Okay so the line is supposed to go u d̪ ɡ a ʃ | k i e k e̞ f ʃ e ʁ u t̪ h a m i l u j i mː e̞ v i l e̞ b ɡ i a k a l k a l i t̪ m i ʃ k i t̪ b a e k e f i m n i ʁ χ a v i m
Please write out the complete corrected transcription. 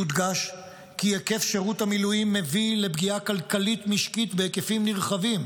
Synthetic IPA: u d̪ ɡ a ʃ | k i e k e̞ f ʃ e ʁ u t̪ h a m i l u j i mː e̞ v i l e̞ b ɡ i a k a l k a l i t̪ m i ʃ k i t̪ b e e k e f i m n i ʁ χ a v i m